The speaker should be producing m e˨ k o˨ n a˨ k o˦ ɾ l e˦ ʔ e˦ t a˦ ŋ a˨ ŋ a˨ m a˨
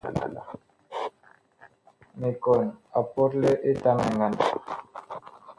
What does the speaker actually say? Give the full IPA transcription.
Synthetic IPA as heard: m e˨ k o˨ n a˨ p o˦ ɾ l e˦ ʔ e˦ t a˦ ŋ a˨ ŋ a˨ n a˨